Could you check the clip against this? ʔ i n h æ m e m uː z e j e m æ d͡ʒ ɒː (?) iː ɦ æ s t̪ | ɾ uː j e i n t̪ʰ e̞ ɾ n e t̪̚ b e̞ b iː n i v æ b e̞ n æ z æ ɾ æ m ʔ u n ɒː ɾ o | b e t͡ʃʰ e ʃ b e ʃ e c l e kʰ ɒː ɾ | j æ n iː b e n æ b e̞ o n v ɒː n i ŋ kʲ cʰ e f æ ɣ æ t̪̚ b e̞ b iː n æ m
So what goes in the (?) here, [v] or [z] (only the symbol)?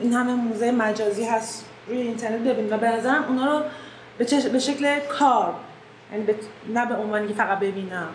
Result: z